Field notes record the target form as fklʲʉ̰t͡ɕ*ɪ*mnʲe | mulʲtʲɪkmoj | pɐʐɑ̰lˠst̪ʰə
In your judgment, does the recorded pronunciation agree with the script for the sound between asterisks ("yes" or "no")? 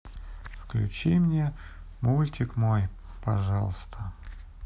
no